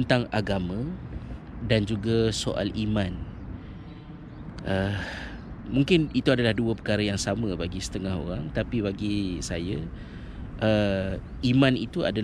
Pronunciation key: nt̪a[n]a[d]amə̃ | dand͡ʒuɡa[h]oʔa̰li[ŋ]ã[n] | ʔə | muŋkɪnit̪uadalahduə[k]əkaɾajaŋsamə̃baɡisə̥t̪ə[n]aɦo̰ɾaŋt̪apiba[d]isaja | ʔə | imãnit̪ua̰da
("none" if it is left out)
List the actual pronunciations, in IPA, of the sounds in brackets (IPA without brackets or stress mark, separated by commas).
ŋ, ɡ, s, m, n, p, ŋ, ɡ